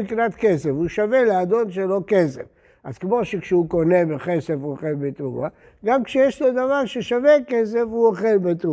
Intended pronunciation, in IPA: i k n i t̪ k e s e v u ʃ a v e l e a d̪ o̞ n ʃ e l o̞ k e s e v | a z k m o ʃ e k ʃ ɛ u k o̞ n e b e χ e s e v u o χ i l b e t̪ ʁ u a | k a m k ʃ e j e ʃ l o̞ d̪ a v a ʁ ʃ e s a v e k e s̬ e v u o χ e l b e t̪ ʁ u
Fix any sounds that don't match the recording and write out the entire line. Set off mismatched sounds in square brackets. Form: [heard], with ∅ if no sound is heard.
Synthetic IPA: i k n [a] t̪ k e s e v u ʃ a v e l e a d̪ o̞ n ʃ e l o̞ k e s e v | a z k m o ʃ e k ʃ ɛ u k o̞ n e b e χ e s e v u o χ [e] l b e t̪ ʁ u a | [ɡ] a m k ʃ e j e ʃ l o̞ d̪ a v a ʁ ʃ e [ʃ] a v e k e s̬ e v u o χ e l b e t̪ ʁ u